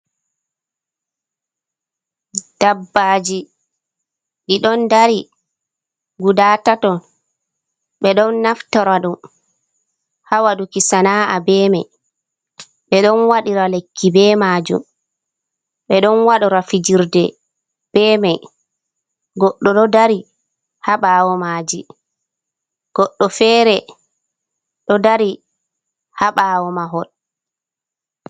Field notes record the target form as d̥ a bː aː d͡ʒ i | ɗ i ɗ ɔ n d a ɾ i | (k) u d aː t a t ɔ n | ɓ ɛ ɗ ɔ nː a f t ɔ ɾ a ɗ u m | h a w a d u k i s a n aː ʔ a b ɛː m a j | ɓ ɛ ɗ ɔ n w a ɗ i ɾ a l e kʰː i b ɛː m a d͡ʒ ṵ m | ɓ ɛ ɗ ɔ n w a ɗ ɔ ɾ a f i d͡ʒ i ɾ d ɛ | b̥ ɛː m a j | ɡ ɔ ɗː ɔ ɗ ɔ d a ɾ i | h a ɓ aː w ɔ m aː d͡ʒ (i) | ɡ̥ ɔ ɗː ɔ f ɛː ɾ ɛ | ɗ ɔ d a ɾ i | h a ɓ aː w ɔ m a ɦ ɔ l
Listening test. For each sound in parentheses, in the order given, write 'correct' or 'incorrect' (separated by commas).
incorrect, correct